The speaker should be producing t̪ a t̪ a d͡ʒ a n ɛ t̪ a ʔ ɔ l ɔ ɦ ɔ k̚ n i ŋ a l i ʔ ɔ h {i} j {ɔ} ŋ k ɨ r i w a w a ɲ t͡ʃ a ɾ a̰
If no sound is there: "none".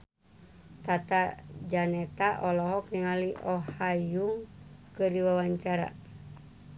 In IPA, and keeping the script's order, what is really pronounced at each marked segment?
a, u

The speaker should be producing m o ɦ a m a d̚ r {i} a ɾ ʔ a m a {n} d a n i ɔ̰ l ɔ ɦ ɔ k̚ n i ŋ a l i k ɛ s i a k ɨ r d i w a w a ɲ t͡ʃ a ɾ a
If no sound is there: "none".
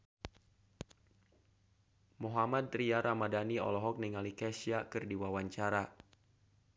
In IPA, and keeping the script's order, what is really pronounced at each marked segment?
i, none

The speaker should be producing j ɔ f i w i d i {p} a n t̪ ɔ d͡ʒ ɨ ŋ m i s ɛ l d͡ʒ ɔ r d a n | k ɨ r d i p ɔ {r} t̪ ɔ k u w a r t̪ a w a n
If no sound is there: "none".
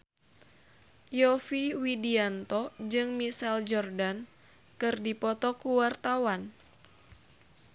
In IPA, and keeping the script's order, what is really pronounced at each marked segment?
none, none

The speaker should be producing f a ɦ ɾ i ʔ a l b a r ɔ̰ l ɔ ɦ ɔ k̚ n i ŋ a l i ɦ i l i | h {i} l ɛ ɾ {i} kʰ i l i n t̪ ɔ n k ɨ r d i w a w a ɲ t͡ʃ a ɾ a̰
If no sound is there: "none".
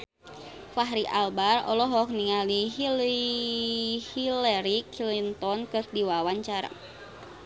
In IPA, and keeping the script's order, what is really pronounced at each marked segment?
i, i

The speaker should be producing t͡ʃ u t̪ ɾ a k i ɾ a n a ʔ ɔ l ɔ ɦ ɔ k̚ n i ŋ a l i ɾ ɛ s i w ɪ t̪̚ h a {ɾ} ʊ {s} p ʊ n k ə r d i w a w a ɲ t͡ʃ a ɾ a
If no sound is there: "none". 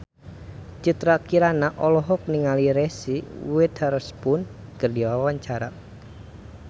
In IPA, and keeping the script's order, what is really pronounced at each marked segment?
ɾ, s

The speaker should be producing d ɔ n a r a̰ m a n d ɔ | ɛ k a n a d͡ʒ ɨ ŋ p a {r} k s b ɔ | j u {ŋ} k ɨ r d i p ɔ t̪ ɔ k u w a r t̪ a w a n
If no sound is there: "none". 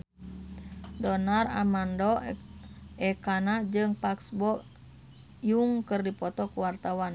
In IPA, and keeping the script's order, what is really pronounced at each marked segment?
none, ŋ

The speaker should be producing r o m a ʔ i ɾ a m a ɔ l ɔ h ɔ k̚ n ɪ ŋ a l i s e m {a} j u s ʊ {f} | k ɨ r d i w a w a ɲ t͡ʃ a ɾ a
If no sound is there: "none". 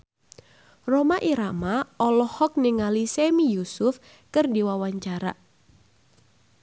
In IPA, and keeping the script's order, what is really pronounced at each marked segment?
i, f

